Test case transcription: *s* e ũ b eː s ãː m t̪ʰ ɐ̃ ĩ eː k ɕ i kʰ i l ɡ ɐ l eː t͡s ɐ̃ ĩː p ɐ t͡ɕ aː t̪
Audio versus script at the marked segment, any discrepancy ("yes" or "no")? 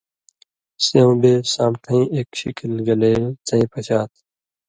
no